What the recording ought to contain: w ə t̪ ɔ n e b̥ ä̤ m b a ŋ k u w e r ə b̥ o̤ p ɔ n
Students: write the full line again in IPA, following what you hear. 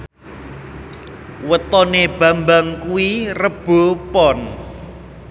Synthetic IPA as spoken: w ə t̪ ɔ n e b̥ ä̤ m b a ŋ k u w i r ə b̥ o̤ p ɔ n